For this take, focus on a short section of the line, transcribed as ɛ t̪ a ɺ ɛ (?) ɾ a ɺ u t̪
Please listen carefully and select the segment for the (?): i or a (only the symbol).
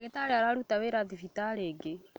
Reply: a